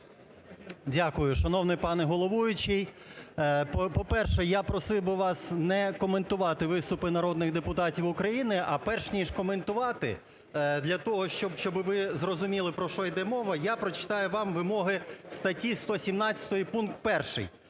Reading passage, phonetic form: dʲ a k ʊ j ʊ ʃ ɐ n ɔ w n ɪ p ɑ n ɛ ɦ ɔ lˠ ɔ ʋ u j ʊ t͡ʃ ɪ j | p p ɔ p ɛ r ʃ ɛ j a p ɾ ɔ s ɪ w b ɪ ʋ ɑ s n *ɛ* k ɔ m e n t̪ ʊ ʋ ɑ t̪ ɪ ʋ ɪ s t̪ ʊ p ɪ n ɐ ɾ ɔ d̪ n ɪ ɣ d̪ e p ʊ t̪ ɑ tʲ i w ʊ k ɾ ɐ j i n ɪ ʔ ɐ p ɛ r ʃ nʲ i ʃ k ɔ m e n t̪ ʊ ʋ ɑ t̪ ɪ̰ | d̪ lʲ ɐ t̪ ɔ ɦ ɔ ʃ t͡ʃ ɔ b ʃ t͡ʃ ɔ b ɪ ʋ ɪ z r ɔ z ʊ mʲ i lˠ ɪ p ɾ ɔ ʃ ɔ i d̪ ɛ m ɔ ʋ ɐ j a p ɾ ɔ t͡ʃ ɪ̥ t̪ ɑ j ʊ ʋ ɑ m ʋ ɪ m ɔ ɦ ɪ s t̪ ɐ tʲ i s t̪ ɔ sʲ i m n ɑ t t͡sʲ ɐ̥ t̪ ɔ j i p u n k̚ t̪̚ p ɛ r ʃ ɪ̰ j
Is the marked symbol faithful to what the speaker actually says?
yes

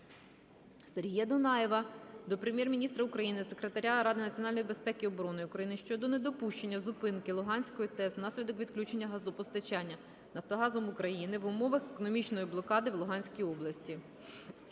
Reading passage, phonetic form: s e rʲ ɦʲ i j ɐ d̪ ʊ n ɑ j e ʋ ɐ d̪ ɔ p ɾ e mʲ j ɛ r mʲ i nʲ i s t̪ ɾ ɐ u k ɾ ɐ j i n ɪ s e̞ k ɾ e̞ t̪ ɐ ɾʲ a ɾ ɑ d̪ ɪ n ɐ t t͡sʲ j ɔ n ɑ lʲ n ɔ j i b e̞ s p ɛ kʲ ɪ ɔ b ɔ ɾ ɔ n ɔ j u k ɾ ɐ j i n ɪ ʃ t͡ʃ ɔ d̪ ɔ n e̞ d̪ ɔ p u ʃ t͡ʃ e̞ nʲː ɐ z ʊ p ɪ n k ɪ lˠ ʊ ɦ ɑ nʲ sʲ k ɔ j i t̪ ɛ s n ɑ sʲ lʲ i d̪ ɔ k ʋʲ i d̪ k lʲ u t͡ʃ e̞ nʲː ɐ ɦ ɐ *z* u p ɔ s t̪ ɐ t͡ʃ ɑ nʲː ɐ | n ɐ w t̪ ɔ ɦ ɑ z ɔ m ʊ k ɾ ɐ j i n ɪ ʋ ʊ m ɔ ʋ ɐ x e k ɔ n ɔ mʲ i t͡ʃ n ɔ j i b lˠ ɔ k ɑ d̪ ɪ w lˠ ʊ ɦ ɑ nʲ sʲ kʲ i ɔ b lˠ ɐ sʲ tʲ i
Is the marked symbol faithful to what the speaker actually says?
yes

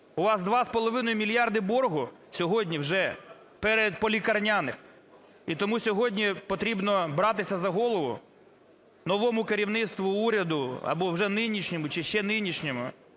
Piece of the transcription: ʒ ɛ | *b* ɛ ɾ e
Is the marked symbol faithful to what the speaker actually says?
no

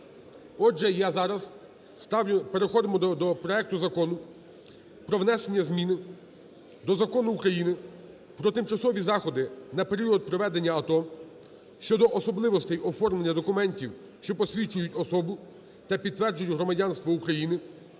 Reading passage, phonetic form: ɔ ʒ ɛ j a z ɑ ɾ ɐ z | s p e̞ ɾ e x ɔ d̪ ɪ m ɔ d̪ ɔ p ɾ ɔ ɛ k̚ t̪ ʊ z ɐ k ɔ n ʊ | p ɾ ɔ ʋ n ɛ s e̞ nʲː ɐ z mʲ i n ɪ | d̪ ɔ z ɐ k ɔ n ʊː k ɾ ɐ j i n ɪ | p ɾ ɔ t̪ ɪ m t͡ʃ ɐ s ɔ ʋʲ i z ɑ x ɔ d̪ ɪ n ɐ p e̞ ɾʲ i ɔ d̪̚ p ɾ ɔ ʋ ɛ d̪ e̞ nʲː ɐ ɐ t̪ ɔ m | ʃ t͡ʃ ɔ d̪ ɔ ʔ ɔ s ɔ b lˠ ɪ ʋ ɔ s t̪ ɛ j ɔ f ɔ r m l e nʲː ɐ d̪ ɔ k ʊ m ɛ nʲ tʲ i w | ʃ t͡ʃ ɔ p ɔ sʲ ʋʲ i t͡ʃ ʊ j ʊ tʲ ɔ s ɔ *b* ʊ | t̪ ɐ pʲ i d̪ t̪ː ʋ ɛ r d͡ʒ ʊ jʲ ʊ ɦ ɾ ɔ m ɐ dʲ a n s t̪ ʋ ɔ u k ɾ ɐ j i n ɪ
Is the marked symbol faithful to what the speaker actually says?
yes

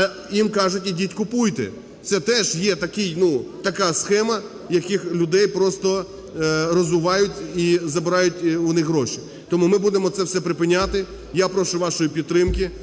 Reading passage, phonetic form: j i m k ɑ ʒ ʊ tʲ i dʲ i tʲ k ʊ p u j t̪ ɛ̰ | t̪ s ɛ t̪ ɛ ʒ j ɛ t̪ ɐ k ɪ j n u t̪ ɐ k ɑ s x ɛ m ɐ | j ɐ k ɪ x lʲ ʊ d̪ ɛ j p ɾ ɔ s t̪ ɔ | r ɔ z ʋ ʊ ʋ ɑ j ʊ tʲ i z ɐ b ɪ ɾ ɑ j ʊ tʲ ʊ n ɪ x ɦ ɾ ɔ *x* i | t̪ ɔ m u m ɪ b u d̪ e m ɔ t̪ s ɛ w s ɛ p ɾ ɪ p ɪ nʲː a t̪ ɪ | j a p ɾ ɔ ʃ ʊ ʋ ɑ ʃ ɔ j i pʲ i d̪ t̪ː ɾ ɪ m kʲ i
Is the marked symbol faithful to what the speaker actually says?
no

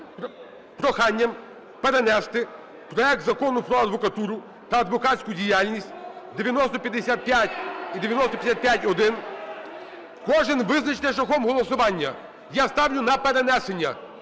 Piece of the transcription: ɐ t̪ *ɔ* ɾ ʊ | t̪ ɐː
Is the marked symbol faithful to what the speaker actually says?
no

